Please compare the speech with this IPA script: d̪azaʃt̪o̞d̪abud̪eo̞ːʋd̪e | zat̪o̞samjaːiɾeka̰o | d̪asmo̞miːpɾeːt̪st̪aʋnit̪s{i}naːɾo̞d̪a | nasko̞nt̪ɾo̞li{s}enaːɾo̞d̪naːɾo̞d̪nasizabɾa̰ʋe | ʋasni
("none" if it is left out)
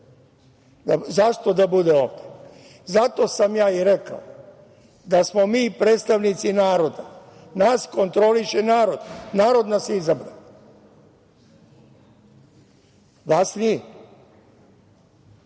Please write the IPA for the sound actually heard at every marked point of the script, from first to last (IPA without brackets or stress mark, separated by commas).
i, ʃ